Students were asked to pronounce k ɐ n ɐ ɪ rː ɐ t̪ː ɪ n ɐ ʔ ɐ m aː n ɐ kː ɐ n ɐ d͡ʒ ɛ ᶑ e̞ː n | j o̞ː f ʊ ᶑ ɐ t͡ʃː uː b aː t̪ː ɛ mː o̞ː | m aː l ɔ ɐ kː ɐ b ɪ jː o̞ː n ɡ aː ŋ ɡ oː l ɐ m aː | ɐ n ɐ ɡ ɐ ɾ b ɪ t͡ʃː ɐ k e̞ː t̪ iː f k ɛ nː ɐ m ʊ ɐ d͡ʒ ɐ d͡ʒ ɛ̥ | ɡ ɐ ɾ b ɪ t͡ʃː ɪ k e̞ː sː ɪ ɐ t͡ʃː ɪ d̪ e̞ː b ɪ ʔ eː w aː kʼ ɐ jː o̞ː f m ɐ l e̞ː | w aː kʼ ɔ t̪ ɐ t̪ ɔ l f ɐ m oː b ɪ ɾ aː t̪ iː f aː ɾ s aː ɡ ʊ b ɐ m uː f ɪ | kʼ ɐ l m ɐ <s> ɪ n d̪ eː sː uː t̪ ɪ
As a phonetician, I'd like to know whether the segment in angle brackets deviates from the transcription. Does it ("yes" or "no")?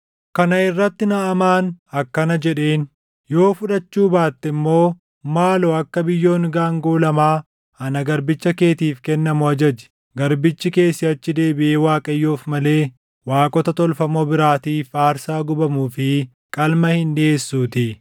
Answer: yes